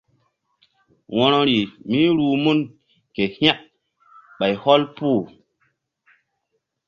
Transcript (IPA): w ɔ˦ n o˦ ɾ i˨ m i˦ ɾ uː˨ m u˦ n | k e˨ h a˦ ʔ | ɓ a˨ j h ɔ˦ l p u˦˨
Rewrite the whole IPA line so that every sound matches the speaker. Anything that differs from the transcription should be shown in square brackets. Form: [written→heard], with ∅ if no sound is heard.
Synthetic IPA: w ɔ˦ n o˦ ɾ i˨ m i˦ ɾ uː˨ m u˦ n | k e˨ h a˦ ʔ | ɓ a˨ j h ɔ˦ l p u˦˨